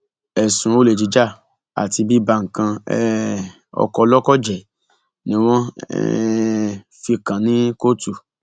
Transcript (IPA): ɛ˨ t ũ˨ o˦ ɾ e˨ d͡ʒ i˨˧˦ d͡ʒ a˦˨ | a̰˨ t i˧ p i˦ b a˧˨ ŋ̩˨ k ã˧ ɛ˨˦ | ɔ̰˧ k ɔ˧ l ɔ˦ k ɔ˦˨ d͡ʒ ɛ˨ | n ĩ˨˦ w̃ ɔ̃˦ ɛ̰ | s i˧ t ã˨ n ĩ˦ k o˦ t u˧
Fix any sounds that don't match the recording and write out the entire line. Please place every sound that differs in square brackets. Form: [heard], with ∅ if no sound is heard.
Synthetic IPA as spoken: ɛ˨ [s] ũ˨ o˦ [l] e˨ d͡ʒ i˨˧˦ d͡ʒ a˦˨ | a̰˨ t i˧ [b] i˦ b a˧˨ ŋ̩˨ k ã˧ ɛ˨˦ | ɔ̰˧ k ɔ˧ l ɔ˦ k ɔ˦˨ d͡ʒ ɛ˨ | n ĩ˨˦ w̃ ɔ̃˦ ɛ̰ | [f] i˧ [k] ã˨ n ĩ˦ k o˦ t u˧